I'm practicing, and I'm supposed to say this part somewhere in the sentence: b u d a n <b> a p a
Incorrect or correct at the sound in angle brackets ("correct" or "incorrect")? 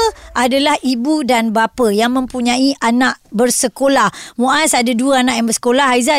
correct